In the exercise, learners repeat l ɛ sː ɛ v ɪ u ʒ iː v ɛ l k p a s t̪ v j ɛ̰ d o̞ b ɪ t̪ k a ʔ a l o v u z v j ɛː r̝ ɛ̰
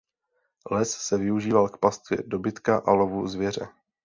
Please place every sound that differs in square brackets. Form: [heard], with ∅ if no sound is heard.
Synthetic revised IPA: l ɛ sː ɛ v ɪ u ʒ iː v [a] l k p a s t̪ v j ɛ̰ d o̞ b ɪ t̪ k a ʔ a l o v u z v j [ɛ] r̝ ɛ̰